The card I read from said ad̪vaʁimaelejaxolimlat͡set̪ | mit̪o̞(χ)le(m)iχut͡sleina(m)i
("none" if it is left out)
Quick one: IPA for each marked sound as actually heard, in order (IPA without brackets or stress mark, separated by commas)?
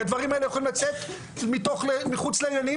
χ, m, n